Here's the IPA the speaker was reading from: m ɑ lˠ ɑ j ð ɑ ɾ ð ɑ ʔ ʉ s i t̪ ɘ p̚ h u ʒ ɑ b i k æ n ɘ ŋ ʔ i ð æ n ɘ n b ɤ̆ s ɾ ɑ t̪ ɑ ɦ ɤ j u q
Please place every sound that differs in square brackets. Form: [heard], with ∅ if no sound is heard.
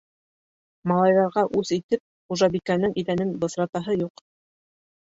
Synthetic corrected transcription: m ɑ lˠ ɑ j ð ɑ ɾ [ʁ] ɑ ʔ ʉ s i t̪ ɘ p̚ [χ] u ʒ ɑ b i k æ n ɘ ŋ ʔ i ð æ n ɘ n b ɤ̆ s ɾ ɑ t̪ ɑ ɦ ɤ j u q